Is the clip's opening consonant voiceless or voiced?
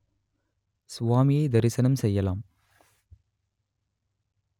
voiceless